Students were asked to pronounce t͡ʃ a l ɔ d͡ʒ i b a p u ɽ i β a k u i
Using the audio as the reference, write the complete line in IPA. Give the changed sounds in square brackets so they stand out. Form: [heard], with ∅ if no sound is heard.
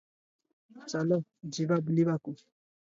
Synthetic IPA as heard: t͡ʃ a l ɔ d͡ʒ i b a [b] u [l] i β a k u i